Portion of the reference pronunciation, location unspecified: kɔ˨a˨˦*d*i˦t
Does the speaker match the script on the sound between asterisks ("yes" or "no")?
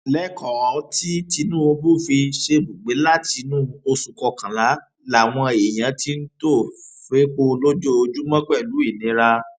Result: no